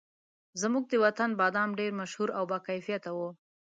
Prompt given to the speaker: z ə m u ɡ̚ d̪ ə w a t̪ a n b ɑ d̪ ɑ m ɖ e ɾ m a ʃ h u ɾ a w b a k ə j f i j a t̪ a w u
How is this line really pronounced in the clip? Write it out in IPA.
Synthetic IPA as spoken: z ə m u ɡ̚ d̪ ə w a t̪ a n b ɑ d̪ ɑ m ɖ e ɾ m a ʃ h u ɾ a w b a k a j f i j a t̪ a w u